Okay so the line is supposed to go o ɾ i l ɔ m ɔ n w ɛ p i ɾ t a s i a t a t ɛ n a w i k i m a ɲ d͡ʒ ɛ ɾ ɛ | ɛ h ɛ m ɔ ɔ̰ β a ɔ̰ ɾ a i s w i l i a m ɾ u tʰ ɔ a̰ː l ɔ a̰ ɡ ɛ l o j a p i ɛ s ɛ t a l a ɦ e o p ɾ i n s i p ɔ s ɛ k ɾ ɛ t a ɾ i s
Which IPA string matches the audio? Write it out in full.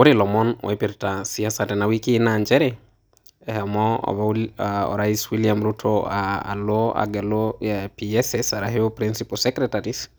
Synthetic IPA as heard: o ɾ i l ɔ m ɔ n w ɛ p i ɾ t a s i a s a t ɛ n a w i k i n a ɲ d͡ʒ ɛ ɾ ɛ | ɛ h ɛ m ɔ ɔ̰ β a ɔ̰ ɾ a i s w i l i a m ɾ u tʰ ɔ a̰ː l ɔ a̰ ɡ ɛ l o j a p i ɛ s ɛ s a ɾ a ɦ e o p ɾ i n s i p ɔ s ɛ k ɾ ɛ t a ɾ i s

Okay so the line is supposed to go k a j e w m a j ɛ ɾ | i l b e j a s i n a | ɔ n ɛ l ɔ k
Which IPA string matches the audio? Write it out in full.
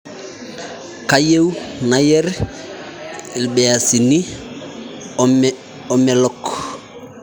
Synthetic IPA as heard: k a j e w n a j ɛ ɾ | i l b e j a s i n i | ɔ m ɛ l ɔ k

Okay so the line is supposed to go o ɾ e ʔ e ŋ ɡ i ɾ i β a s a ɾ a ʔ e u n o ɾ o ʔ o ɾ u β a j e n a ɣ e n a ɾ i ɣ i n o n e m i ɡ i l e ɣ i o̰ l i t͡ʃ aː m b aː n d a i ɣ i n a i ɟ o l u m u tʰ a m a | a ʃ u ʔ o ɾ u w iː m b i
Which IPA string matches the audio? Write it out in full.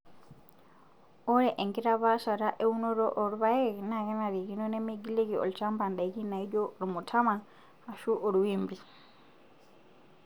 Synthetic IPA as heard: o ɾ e ʔ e ŋ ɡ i ɾ a β a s a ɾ a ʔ e u n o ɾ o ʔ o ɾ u β a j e n a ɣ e n a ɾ i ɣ i n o n e m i ɡ i l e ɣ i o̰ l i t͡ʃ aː m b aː n d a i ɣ i n a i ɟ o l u m u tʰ a m a | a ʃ u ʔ o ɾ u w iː m b i

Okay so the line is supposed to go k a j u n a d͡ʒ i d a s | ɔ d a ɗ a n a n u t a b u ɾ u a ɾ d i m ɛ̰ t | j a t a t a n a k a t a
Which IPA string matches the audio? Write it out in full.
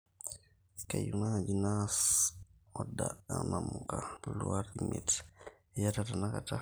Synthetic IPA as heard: k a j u n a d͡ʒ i n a s | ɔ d a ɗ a n a m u k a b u l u a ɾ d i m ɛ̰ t | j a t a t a n a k a t a

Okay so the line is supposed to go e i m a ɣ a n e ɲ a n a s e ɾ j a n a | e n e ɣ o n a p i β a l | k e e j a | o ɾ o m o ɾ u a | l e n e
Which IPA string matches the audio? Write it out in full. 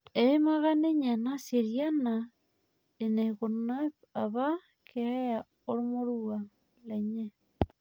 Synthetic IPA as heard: e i m a ɣ a n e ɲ a n a s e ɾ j a n a | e n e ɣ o n a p a β a | k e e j a | o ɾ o m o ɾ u a | l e ɲ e

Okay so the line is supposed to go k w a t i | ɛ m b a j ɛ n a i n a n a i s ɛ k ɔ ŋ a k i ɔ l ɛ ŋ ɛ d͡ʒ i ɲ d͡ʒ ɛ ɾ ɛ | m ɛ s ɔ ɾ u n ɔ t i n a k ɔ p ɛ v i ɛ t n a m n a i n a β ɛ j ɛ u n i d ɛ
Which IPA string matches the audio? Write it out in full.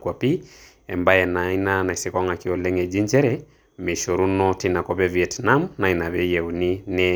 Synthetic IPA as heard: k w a p i | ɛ m b a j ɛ n a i n a n a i s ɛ k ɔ ŋ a k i ɔ l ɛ ŋ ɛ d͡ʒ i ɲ d͡ʒ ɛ ɾ ɛ | m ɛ ʃ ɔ ɾ u n ɔ t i n a k ɔ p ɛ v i ɛ t n a m n a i n a β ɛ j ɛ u n i n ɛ

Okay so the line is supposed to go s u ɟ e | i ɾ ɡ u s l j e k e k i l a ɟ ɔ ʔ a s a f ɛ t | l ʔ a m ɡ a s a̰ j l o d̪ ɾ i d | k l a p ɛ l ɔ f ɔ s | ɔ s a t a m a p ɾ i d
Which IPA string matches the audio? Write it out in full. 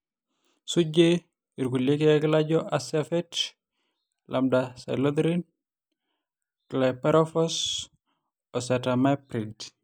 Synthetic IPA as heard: s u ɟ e | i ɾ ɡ u l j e k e k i l a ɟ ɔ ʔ a s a f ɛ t | l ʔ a m d a s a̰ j l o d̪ ɾ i n | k l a p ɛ ɾ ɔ f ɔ s | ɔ s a t a m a p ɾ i d

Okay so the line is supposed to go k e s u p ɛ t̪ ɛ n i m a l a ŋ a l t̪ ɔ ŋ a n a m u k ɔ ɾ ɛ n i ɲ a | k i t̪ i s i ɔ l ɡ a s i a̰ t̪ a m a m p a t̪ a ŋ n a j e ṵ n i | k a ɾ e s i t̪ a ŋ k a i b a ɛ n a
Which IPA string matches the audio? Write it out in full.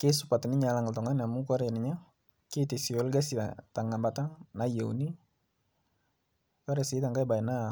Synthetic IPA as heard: k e s u p a t̪ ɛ n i ɲ a l a ŋ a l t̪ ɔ ŋ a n a m u k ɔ ɾ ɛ n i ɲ a | k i t̪ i s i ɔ l ɡ a s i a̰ t̪ a ŋ a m b a t̪ a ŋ n a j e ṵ n i | k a ɾ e s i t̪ a ŋ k a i b a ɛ n a

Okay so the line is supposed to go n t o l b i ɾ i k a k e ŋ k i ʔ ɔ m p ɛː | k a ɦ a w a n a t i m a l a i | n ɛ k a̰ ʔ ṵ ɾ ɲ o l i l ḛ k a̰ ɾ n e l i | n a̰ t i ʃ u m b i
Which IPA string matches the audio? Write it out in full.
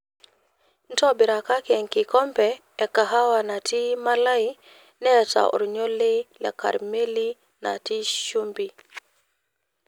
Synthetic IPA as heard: n t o b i ɾ a k a k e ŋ k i k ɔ m p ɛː | k a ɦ a w a n a t i m a l a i | n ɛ t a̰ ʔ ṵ ɾ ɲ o l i l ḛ k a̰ ɾ m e l i | n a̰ t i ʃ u m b i

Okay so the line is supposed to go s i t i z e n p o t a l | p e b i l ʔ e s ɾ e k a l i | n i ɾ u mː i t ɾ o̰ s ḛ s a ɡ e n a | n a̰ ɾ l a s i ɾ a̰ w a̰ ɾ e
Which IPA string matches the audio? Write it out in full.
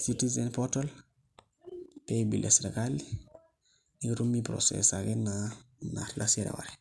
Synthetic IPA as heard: s i t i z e n p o t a l | p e b i l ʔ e s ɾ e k a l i | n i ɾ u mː i p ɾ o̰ s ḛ s a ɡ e n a | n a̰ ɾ l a s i ɾ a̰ w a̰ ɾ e

